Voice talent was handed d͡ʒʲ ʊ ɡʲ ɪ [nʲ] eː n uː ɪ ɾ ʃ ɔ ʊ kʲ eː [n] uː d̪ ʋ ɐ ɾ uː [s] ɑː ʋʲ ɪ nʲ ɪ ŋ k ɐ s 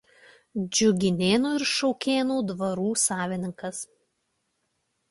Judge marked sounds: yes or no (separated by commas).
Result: yes, yes, yes